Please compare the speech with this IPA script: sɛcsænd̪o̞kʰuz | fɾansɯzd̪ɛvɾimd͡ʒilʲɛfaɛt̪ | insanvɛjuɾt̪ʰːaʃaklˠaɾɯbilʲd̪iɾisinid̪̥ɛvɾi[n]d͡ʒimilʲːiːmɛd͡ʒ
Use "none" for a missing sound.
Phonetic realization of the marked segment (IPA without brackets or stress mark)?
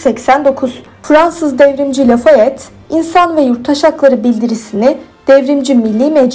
m